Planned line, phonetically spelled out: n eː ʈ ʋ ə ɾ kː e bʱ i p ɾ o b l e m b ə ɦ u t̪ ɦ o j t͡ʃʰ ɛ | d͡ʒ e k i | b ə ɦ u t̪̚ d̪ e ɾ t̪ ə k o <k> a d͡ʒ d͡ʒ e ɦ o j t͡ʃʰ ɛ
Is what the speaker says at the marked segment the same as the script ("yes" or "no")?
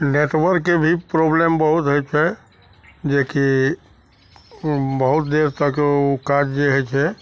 yes